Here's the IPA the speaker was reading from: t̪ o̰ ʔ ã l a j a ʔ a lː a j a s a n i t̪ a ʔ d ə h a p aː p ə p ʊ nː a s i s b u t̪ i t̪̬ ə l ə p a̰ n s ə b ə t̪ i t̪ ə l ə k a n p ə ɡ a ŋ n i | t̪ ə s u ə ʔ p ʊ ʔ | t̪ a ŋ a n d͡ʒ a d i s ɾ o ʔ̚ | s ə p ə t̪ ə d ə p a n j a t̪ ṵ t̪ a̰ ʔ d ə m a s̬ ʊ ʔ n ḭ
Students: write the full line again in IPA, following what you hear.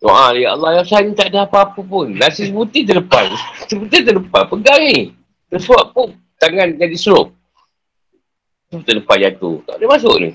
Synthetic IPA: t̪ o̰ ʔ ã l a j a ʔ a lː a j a s a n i t̪ a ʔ d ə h a p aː p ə p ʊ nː a s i s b u t̪ i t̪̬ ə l ə p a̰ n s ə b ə t̪ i t̪ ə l ə p a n p ə ɡ a ŋ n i | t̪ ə s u a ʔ p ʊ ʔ | t̪ a ŋ a n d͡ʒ a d i s ɾ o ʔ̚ | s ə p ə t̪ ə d ə p a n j a t̪ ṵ t̪ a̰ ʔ d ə m a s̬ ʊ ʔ n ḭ